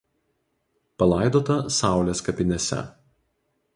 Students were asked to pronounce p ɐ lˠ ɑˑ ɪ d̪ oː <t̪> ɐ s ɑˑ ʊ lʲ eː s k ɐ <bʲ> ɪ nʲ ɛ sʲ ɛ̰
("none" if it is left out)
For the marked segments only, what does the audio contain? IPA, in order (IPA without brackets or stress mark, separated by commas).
t̪, pʲ